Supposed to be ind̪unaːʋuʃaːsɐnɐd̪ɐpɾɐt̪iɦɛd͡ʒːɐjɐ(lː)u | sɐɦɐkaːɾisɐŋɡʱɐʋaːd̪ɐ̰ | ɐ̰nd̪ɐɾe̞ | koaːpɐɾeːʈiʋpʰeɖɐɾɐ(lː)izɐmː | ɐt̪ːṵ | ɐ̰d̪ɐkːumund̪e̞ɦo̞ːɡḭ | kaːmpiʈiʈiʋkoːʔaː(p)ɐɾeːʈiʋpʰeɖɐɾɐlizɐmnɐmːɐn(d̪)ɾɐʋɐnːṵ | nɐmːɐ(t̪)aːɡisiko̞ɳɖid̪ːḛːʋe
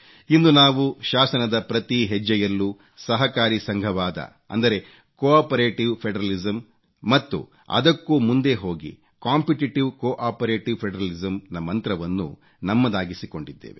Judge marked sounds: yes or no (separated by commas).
yes, no, yes, no, no